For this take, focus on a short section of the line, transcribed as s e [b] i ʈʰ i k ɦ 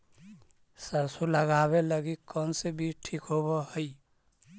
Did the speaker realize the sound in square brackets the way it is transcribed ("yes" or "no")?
yes